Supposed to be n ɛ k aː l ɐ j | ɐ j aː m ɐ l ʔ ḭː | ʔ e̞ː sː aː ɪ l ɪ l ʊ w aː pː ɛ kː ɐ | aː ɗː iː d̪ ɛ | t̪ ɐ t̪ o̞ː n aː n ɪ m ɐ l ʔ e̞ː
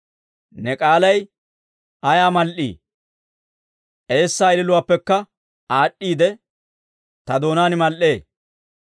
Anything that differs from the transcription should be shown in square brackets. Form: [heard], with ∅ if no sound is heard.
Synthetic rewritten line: n ɛ [kʼ] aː l ɐ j | ɐ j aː m ɐ l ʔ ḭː | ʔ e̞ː sː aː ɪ l ɪ l ʊ w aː pː ɛ kː ɐ | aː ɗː iː d̪ ɛ | t̪ ɐ [d̪] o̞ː n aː n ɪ m ɐ l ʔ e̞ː

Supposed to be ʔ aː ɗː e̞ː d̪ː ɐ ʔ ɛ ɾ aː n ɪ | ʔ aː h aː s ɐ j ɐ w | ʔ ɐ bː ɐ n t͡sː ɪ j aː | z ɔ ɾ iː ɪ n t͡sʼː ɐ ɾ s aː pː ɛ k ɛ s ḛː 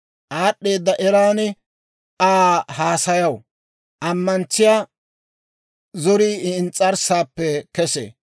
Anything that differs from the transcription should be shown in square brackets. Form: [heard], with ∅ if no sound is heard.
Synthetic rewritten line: ʔ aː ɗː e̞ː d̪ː ɐ ʔ ɛ ɾ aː n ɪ | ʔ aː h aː s ɐ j ɐ w | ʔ ɐ [mː] ɐ n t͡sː ɪ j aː | z ɔ ɾ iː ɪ n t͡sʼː ɐ ɾ s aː pː ɛ k ɛ s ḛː

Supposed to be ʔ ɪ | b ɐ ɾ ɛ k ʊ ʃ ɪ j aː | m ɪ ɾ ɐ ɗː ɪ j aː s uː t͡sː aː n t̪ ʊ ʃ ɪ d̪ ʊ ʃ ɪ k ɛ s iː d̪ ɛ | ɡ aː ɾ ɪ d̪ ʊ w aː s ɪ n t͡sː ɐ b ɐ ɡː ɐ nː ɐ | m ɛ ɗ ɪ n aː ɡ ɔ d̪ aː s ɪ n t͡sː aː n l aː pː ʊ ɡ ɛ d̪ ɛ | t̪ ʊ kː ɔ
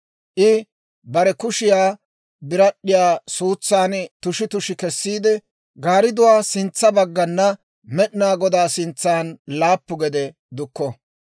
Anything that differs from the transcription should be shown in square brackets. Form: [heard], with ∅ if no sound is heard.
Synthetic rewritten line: ʔ ɪ | b ɐ ɾ ɛ k ʊ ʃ ɪ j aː | [b] ɪ ɾ ɐ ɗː ɪ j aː s uː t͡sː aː n t̪ ʊ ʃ ɪ [t̪] ʊ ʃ ɪ k ɛ [sː] iː d̪ ɛ | ɡ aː ɾ ɪ d̪ ʊ w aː s ɪ n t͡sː ɐ b ɐ ɡː ɐ nː ɐ | m ɛ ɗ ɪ n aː ɡ ɔ d̪ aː s ɪ n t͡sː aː n l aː pː ʊ ɡ ɛ d̪ ɛ | [d̪] ʊ kː ɔ

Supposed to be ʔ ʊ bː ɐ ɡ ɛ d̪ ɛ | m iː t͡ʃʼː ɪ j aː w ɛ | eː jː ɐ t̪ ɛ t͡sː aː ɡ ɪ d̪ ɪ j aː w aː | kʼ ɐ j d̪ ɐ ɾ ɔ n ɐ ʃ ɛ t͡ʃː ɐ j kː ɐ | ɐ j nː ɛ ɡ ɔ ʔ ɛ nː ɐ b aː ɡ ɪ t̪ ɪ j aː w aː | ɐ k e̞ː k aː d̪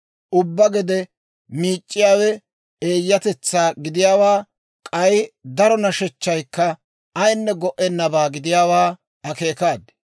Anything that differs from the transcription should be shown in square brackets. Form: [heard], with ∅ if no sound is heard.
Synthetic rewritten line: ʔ ʊ bː ɐ ɡ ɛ d̪ ɛ | m iː t͡ʃʼː ɪ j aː w ɛ | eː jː ɐ t̪ ɛ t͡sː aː ɡ ɪ d̪ ɪ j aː w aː | kʼ ɐ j d̪ ɐ ɾ ɔ n ɐ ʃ ɛ t͡ʃː ɐ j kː ɐ | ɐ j nː ɛ ɡ ɔ ʔ ɛ nː ɐ b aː ɡ ɪ [d̪] ɪ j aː w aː | ɐ k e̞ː k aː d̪

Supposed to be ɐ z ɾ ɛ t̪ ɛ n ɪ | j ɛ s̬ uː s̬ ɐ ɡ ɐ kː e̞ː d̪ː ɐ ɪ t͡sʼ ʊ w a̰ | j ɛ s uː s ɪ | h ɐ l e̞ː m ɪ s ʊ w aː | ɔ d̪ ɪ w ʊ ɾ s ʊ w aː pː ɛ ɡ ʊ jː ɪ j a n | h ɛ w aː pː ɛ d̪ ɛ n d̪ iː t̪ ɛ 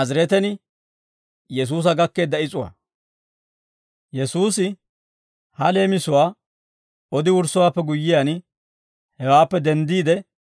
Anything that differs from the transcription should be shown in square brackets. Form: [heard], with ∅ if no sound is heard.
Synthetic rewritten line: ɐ z ɾ ɛ t̪ ɛ n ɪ | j ɛ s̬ uː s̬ ɐ ɡ ɐ kː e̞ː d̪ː ɐ ɪ t͡sʼ ʊ w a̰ | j ɛ s uː s ɪ | h ɐ l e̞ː m ɪ s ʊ w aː | ɔ d̪ ɪ w ʊ ɾ s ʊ w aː pː ɛ ɡ ʊ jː ɪ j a n | h ɛ w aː pː ɛ d̪ ɛ n d̪ iː [d̪] ɛ

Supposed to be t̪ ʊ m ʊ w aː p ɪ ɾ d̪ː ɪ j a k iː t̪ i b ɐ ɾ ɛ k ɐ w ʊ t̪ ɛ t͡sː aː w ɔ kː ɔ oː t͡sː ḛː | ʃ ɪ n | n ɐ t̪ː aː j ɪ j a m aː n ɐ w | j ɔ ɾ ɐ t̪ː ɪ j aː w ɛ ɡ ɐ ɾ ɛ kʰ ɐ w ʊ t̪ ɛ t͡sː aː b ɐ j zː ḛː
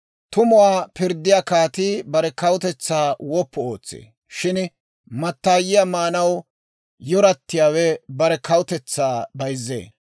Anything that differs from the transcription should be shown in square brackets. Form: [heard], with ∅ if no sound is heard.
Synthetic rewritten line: t̪ ʊ m ʊ w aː p ɪ ɾ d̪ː ɪ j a k [aː] t̪ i b ɐ ɾ ɛ k ɐ w ʊ t̪ ɛ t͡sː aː w ɔ [pː] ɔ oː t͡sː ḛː | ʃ ɪ n | [m] ɐ t̪ː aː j ɪ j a m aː n ɐ w | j ɔ ɾ ɐ t̪ː ɪ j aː w ɛ [b] ɐ ɾ ɛ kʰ ɐ w ʊ t̪ ɛ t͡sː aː b ɐ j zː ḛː

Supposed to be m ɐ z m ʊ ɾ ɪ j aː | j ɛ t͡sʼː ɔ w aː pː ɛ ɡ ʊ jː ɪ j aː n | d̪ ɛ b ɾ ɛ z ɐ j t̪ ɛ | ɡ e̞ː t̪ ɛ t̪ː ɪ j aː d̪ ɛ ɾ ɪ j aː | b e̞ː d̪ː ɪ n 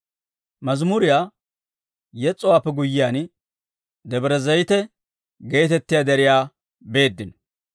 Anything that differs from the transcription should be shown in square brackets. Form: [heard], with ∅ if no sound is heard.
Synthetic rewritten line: m ɐ z m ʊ ɾ ɪ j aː | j ɛ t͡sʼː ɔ w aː pː ɛ ɡ ʊ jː ɪ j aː n | d̪ ɛ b ɾ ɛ z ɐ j t̪ ɛ | ɡ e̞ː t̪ ɛ t̪ː ɪ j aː d̪ ɛ ɾ ɪ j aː | b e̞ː d̪ː ɪ n

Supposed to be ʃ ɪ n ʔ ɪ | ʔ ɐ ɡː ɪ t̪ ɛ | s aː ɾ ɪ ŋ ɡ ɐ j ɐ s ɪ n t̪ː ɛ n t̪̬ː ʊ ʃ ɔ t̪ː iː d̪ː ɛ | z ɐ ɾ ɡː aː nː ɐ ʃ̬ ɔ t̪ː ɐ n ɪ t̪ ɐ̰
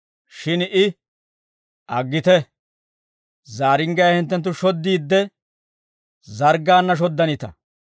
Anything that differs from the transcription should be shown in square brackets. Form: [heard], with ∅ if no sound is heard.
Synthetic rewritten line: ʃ ɪ n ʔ ɪ | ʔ ɐ ɡː ɪ t̪ ɛ | [z] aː ɾ ɪ ŋ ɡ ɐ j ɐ [h] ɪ n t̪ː ɛ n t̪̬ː ʊ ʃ ɔ [d̪ː] iː d̪ː ɛ | z ɐ ɾ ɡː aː nː ɐ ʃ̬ ɔ [d̪ː] ɐ n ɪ t̪ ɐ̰

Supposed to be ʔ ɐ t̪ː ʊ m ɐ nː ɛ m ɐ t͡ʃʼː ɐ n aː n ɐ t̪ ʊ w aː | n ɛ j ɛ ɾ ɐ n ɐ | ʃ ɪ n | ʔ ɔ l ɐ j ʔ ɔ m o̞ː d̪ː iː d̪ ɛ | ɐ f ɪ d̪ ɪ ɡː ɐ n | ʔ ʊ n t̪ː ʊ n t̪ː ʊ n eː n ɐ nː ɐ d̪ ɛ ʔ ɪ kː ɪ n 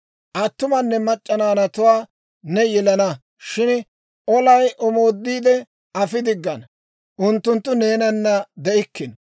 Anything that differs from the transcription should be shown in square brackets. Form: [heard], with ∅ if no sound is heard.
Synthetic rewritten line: ʔ ɐ t̪ː ʊ m ɐ nː ɛ m ɐ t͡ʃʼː ɐ n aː n ɐ t̪ ʊ w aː | n ɛ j ɛ [l] ɐ n ɐ | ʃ ɪ n | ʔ ɔ l ɐ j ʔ ɔ m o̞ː d̪ː iː d̪ ɛ | ɐ f ɪ d̪ ɪ ɡː ɐ n | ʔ ʊ n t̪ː ʊ n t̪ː ʊ n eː n ɐ nː ɐ d̪ ɛ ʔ ɪ kː ɪ n

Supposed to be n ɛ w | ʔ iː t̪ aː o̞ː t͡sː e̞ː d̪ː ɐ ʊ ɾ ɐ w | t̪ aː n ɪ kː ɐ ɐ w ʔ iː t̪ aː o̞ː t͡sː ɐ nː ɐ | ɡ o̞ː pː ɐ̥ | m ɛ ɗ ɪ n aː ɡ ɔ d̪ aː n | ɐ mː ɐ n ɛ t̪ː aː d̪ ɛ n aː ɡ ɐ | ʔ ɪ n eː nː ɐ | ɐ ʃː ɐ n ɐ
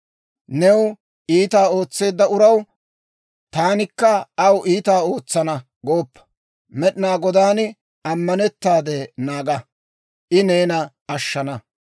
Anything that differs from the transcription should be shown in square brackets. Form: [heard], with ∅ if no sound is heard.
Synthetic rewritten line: n ɛ w | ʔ iː t̪ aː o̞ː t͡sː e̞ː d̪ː ɐ ʊ ɾ ɐ w | t̪ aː n ɪ kː ɐ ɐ w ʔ iː t̪ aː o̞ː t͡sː ɐ [n] ɐ | ɡ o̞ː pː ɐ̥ | m ɛ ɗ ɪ n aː ɡ ɔ d̪ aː n | ɐ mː ɐ n ɛ t̪ː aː d̪ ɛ n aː ɡ ɐ | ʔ ɪ n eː [n] ɐ | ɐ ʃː ɐ n ɐ

